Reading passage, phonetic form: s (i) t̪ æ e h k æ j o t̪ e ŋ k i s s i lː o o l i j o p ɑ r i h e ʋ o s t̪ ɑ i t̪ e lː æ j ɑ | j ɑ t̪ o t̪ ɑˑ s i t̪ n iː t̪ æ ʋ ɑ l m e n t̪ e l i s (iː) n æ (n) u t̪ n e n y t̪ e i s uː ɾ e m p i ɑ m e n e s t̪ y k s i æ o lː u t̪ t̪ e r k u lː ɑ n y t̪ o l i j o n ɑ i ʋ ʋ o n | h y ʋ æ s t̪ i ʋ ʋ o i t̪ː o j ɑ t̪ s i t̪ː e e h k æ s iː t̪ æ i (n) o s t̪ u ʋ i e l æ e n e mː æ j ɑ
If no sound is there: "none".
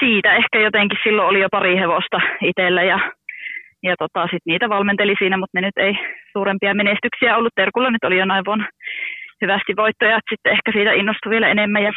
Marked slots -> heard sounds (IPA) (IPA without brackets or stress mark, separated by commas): iː, iː, m, nː